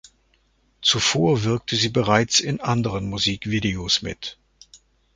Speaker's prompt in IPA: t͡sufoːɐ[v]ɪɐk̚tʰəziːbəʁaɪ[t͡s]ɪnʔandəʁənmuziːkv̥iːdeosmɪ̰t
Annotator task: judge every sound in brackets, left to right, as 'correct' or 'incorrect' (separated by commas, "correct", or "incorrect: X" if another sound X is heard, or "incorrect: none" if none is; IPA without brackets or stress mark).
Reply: correct, correct